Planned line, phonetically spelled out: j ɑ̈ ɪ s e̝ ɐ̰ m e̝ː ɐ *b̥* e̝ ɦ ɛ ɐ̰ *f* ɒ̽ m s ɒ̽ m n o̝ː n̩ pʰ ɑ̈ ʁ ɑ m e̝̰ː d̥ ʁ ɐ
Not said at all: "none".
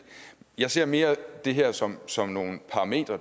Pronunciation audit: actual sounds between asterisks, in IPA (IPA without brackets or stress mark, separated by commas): d̥, s